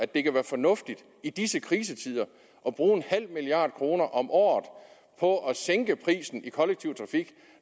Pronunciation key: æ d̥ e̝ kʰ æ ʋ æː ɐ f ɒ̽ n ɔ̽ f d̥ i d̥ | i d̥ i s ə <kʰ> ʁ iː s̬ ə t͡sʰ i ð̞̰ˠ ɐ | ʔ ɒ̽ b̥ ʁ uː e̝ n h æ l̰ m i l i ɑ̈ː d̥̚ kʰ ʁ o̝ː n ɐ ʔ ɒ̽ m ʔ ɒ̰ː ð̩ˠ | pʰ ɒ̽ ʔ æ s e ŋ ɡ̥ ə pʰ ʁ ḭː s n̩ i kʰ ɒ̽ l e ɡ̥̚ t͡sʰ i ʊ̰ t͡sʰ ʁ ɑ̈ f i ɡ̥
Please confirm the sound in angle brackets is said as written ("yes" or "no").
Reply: yes